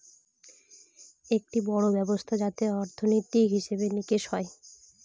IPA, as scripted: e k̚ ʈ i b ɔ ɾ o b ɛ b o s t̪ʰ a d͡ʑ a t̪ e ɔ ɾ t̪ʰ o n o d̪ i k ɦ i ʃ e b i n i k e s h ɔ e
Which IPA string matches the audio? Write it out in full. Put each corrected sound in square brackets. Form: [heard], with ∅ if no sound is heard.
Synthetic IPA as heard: e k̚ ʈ i b ɔ [ɽ] o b ɛ b o s t̪ʰ a d͡ʑ a t̪ e ɔ ɾ t̪ʰ o n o [t̪] i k ɦ i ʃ e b [e] n i k e [ʃ] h ɔ e